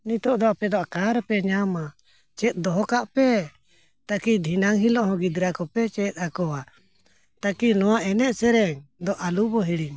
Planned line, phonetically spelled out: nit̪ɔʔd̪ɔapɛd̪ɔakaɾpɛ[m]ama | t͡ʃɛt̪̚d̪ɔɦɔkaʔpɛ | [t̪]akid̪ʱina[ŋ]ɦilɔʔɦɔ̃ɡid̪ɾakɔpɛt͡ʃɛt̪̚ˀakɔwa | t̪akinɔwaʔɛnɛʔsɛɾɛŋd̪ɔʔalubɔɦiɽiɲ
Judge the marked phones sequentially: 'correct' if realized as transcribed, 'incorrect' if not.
incorrect: ɲ, correct, correct

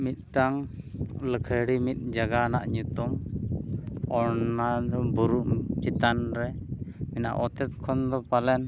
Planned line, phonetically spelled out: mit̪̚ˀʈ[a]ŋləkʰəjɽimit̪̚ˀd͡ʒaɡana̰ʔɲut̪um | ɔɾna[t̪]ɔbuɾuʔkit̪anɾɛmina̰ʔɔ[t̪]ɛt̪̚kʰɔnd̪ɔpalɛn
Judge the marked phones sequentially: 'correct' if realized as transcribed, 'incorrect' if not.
correct, incorrect: d̪, correct

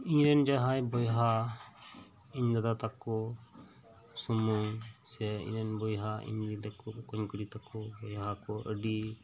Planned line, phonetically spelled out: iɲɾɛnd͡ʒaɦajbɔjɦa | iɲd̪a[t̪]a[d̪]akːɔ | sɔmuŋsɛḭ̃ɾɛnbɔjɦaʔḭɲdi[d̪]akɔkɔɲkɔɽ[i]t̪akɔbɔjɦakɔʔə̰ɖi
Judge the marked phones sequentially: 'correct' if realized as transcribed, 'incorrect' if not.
incorrect: d̪, incorrect: t̪, correct, correct

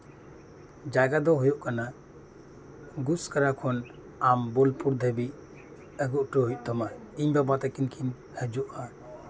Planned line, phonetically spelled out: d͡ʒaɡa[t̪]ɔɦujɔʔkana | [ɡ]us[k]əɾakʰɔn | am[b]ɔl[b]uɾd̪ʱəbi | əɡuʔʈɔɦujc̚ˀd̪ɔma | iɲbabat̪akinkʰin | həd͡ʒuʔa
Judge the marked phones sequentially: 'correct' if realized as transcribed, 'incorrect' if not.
incorrect: d̪, correct, correct, correct, incorrect: p

